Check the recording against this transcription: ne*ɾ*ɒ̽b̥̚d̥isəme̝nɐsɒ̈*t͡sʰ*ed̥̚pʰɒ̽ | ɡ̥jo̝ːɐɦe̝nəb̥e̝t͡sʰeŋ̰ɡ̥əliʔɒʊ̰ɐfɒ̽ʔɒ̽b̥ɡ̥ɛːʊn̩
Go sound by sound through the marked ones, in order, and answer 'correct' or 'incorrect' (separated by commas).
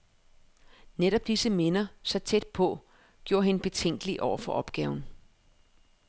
correct, correct